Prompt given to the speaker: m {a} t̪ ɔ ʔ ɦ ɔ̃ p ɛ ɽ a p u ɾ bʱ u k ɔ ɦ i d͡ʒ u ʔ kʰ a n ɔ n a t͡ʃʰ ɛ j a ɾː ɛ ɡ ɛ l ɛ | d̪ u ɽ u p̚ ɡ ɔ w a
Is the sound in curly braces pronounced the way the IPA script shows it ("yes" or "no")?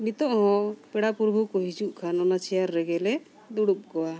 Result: no